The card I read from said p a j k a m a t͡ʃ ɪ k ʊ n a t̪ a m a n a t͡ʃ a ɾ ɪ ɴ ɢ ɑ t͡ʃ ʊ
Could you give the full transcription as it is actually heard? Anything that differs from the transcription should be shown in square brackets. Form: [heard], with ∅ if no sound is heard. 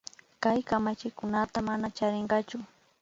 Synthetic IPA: [k] a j k a m a t͡ʃ ɪ k ʊ n a t̪ a m a n a t͡ʃ a ɾ ɪ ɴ ɢ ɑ t͡ʃ ʊ